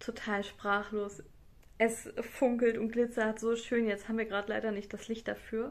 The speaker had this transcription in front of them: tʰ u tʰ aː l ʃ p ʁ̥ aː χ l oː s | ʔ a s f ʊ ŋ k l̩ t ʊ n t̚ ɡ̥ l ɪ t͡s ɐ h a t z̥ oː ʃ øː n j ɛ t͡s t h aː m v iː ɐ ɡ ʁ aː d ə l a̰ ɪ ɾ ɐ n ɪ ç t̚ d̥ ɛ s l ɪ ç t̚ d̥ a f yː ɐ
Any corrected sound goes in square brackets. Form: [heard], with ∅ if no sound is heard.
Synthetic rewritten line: tʰ [o] tʰ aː l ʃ p ʁ̥ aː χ l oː s | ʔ [ɛ] s f ʊ ŋ k l̩ t ʊ n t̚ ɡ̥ l ɪ t͡s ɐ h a t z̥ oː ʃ øː n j ɛ t͡s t h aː m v iː ɐ ɡ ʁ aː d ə l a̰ ɪ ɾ ɐ n ɪ ç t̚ d̥ [a] s l ɪ ç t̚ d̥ a f yː ɐ